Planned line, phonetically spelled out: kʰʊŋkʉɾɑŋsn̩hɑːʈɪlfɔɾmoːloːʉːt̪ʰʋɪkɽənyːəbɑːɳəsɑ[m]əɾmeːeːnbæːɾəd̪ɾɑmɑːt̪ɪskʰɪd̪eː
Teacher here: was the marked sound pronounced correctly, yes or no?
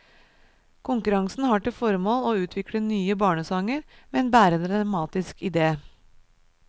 no